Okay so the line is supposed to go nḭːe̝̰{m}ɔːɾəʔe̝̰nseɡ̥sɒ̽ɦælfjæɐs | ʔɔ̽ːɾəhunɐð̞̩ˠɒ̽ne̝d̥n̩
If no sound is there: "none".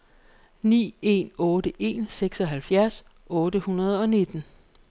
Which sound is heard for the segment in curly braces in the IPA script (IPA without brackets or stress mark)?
n